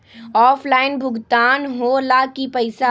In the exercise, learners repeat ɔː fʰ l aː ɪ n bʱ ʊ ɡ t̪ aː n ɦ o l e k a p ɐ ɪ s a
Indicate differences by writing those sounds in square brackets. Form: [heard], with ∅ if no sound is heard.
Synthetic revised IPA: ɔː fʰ l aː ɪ n bʱ ʊ ɡ t̪ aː n ɦ o l [a] k [i] p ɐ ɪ s a